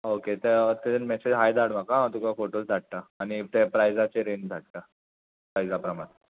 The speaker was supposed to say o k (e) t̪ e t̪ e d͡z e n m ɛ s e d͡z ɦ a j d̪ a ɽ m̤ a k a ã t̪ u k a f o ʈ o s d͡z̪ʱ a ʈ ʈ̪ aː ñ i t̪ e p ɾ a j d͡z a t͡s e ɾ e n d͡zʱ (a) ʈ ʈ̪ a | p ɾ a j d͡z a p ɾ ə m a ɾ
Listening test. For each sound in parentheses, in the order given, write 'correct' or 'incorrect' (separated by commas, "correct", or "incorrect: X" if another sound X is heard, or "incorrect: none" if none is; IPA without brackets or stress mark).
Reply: correct, correct